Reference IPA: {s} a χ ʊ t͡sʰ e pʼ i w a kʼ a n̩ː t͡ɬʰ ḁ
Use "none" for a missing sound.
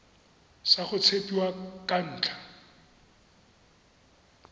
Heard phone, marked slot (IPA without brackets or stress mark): s